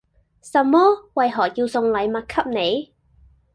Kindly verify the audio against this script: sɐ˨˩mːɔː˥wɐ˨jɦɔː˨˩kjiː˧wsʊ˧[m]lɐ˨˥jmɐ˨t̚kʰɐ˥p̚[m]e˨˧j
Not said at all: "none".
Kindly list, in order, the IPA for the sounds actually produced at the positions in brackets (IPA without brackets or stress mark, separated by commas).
ŋ, n